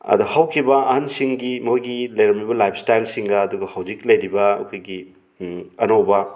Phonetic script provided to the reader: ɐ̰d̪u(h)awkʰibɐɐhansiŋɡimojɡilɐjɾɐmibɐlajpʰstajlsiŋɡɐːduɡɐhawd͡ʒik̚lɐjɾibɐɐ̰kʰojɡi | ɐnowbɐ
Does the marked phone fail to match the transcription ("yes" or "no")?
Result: no